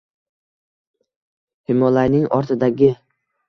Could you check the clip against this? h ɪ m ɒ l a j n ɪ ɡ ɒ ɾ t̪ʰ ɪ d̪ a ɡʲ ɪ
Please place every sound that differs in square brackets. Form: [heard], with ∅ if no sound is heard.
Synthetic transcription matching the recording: h ɪ m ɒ l a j n ɪ [ŋ] ɒ ɾ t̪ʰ ɪ d̪ a ɡʲ ɪ